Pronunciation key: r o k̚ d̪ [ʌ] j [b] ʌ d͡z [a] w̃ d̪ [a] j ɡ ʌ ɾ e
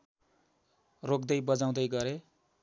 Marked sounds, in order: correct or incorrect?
correct, correct, correct, incorrect

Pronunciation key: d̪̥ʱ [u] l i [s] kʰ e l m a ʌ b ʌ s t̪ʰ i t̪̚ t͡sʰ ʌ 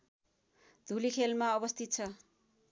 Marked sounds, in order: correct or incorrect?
correct, incorrect

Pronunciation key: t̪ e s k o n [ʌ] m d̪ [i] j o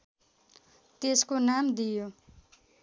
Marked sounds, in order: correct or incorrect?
incorrect, correct

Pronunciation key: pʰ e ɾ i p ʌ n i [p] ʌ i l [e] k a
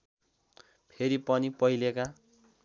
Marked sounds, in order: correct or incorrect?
correct, correct

